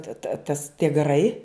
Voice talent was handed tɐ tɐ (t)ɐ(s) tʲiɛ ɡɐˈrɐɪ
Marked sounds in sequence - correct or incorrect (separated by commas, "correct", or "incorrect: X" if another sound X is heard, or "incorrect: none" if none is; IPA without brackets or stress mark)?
correct, correct